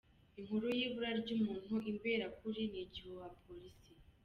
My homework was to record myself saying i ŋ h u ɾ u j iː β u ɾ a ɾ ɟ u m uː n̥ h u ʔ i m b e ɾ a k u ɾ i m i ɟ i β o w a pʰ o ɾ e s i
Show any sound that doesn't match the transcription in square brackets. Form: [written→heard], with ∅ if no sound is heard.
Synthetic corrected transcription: i ŋ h u ɾ u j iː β u ɾ a ɾ ɟ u m uː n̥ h u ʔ i m b e ɾ a k u ɾ i [m→n] i ɟ i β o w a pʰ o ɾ [e→i] s i